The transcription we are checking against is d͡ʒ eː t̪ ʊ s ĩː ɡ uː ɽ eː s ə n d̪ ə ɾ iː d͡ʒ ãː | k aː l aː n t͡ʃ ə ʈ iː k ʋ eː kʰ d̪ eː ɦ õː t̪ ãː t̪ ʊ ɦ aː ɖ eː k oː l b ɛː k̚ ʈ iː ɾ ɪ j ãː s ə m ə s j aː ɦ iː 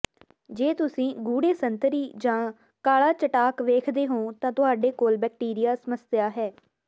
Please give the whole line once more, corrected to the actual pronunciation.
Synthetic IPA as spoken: d͡ʒ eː t̪ ʊ s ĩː ɡ uː ɽ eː s ə n t̪ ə ɾ iː d͡ʒ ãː | k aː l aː t͡ʃ ə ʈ aː k ʋ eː kʰ d̪ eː ɦ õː t̪ ãː t̪ ʊ ɦ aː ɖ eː k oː l b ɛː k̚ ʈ iː ɾ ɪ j aː s ə m ə s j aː ɦ ɛː